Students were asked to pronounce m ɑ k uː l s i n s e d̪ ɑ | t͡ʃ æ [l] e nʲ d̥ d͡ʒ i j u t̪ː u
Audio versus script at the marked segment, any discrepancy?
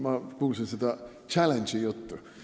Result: no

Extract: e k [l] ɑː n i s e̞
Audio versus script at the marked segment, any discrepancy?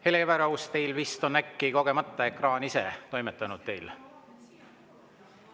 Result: yes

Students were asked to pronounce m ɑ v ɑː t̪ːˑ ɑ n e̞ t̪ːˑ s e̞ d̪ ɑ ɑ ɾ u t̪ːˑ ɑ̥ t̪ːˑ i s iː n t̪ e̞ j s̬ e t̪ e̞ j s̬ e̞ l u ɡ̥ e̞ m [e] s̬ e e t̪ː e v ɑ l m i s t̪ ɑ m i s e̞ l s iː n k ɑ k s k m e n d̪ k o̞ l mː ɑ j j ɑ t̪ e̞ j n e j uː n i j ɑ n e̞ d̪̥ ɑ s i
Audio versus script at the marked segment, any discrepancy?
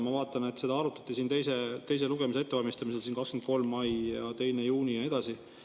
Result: yes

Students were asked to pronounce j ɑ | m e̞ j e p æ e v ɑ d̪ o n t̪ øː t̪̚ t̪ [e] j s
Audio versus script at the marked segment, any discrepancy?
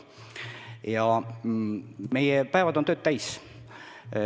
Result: yes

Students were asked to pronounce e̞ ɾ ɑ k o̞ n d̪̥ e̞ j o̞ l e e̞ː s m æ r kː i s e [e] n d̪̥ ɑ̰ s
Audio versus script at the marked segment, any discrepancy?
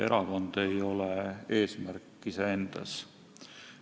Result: no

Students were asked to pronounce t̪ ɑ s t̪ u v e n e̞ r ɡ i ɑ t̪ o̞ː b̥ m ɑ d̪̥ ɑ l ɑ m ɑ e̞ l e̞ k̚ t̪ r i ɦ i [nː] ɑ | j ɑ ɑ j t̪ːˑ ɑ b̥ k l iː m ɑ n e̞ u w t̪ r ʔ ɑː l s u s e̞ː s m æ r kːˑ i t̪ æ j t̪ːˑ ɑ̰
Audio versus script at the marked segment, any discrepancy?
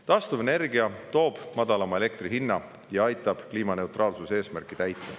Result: no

